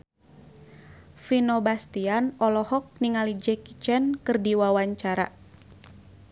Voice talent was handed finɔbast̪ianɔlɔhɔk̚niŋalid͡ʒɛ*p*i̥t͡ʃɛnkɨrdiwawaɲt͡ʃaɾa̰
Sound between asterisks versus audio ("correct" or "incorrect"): incorrect